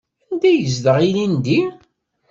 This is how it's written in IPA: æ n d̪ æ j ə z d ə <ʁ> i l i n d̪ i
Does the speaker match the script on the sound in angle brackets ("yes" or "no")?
yes